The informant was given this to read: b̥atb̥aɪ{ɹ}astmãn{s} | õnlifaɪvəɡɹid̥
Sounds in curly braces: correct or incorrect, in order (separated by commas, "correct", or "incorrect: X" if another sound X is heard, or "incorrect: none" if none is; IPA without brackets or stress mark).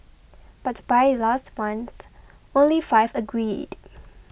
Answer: incorrect: l, incorrect: θ